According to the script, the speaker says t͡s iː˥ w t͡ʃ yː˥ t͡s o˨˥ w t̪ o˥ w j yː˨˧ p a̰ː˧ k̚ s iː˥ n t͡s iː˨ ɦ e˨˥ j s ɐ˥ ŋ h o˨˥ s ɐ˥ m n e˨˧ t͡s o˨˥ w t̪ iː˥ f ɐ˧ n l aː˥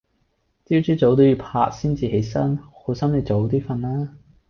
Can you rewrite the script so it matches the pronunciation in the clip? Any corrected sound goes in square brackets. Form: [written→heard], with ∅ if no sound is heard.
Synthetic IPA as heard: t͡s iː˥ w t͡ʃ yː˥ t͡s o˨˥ w t̪ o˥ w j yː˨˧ [p→pʰ] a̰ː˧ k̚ s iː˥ n t͡s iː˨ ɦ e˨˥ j s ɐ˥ [ŋ→n] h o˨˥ s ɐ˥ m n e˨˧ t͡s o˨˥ w t̪ iː˥ f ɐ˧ n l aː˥